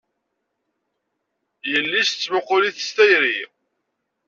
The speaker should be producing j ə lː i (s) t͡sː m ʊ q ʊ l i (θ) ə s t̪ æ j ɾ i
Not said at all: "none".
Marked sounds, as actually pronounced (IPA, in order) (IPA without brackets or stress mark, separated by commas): s, θ